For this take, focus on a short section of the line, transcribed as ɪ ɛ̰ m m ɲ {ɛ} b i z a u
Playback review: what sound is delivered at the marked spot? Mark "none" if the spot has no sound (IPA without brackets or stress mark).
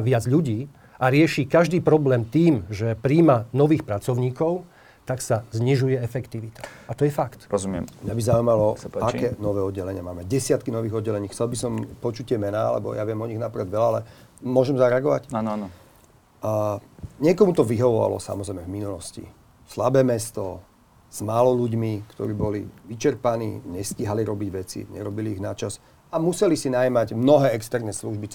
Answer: a